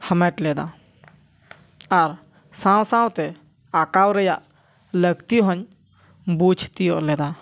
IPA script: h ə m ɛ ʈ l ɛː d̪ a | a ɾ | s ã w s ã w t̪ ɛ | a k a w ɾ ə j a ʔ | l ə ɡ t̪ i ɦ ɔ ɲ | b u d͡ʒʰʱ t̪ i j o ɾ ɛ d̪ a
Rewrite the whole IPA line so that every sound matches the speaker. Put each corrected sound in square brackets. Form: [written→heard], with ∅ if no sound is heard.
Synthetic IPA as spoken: h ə m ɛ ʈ l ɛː d̪ a | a ɾ | s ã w s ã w t̪ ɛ | a k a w ɾ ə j a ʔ | l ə ɡ t̪ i ɦ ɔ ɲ | b u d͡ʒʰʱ t̪ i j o [ɾ→l] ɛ d̪ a

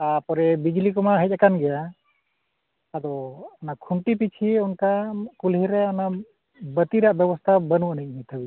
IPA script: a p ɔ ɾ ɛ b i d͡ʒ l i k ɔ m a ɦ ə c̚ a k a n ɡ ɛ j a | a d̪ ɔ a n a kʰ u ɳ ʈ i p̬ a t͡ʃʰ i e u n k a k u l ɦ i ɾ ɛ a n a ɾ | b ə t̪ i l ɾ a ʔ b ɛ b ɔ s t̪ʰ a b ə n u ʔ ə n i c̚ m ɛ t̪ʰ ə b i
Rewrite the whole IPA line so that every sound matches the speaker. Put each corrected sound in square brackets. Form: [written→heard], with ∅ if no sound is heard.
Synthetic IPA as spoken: a p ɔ ɾ ɛ b i d͡ʒ l i k ɔ m a ɦ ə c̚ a k a n ɡ ɛ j a | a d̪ ɔ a n a kʰ u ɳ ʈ i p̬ [a→i] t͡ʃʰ i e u n k a k u l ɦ i ɾ ɛ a n a [ɾ→∅] | b ə t̪ i [l→∅] ɾ a ʔ b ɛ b ɔ s t̪ʰ a b ə n u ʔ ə n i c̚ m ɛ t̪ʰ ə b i

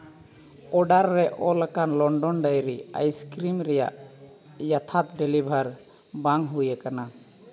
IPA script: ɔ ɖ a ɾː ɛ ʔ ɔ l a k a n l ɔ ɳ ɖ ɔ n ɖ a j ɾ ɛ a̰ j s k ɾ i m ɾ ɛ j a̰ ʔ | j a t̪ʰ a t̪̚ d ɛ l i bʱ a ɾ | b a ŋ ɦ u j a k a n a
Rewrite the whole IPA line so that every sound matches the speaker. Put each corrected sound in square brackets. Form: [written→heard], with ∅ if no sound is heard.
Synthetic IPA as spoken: ɔ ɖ a ɾː ɛ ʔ ɔ l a k a n l ɔ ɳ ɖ ɔ n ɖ a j ɾ [ɛ→i] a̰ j s k ɾ i m ɾ ɛ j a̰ ʔ | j a t̪ʰ a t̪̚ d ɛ l i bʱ a ɾ | b a ŋ ɦ u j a k a n a

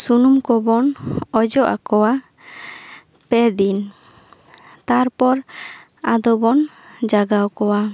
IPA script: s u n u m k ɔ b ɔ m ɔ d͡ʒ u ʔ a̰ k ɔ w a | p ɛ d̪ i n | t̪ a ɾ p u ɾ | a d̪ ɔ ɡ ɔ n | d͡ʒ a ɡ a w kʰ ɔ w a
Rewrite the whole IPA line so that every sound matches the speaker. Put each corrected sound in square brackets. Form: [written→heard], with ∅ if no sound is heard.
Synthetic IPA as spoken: s u n u m k ɔ b ɔ [m→n] ɔ d͡ʒ [u→ɔ] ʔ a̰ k ɔ w a | p ɛ d̪ i n | t̪ a ɾ p [u→ɔ] ɾ | a d̪ ɔ [ɡ→b] ɔ n | d͡ʒ a ɡ a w [kʰ→k] ɔ w a

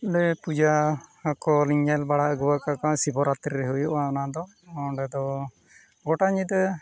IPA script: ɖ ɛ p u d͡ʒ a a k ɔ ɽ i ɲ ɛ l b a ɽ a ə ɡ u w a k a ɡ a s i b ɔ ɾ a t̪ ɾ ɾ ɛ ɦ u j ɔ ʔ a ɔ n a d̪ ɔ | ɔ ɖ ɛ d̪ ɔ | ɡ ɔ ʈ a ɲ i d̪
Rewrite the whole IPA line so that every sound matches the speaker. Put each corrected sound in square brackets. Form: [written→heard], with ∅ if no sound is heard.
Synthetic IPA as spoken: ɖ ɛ p u d͡ʒ a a k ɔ [ɽ→l] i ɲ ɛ l b a ɽ a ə ɡ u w a k a [ɡ→k] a s i b ɔ ɾ a t̪ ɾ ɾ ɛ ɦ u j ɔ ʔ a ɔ n a d̪ ɔ | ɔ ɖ ɛ d̪ ɔ | ɡ ɔ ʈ a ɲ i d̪

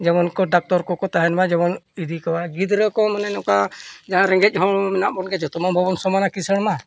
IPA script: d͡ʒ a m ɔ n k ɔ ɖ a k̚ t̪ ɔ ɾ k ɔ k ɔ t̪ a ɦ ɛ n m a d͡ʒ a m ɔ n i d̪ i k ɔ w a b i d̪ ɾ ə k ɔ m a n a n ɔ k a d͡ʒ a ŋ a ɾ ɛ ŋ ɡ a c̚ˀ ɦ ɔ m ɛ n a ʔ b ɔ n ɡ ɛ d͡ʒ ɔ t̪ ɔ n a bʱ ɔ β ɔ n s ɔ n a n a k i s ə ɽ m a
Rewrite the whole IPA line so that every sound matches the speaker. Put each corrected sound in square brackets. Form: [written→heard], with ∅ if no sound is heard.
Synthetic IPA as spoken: d͡ʒ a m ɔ n k ɔ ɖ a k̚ t̪ ɔ ɾ k ɔ k ɔ t̪ a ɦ ɛ n m a d͡ʒ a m ɔ n i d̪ i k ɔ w a [b→ɡ] i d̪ ɾ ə k ɔ m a n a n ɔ k a d͡ʒ a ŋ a ɾ ɛ ŋ ɡ [a→ɛ] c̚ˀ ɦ ɔ m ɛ n a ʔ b ɔ n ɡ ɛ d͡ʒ ɔ t̪ ɔ [n→m] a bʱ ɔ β ɔ n s ɔ [n→m] a n a k i s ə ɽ m a

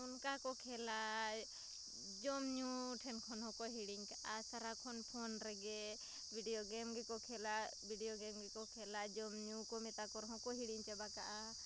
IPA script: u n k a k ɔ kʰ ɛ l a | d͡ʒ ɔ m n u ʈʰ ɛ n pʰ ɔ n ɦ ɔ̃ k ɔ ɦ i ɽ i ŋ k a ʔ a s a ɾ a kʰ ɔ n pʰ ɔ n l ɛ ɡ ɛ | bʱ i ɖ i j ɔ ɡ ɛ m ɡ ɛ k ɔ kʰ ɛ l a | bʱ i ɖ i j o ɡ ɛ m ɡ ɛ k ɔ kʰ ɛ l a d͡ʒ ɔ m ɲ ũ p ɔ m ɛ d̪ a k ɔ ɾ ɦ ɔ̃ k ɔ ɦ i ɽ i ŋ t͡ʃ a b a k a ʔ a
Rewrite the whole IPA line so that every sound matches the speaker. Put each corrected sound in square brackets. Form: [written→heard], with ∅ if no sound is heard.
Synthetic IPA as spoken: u n k a k ɔ kʰ ɛ l a | d͡ʒ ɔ m [n→ɲ] u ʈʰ ɛ n [pʰ→kʰ] ɔ n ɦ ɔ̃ k ɔ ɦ i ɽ i ŋ k a ʔ a s a ɾ a kʰ ɔ n pʰ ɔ n [l→ɾ] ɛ ɡ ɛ | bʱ i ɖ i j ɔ ɡ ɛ m ɡ ɛ k ɔ kʰ ɛ l a | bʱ i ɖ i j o ɡ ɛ m ɡ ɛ k ɔ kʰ ɛ l a d͡ʒ ɔ m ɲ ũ [p→k] ɔ m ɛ [d̪→t̪] a k ɔ ɾ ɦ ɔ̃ k ɔ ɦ i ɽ i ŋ t͡ʃ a b a k a ʔ a

